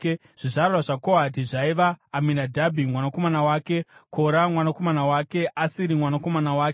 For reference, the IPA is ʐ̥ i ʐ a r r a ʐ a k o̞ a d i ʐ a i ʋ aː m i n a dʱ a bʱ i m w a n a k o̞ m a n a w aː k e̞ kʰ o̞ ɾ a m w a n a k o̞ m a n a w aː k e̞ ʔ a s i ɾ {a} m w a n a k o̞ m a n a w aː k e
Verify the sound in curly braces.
incorrect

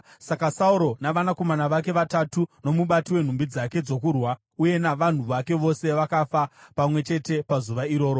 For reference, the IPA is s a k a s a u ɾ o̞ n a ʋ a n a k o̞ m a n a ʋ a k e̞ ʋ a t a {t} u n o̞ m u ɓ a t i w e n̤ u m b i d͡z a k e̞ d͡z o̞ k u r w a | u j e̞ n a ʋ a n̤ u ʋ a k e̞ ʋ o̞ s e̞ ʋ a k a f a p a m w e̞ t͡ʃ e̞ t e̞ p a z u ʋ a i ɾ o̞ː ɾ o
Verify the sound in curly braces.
correct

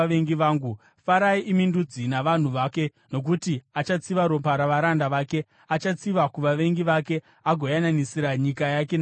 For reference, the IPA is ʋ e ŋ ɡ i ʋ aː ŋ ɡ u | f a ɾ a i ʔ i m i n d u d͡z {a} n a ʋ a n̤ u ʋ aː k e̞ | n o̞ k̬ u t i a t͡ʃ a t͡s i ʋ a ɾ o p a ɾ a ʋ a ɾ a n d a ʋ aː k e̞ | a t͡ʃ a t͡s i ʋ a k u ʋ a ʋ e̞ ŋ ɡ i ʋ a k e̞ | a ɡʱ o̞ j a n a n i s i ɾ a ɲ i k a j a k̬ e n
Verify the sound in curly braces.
incorrect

